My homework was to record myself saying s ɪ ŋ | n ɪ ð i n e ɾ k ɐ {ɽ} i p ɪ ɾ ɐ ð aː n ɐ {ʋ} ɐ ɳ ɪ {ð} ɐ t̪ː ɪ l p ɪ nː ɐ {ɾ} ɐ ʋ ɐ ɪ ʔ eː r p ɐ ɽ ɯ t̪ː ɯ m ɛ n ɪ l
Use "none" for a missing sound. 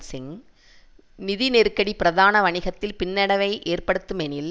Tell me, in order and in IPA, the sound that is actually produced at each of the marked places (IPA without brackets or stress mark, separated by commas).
ɽ, ʋ, ɣ, ɽ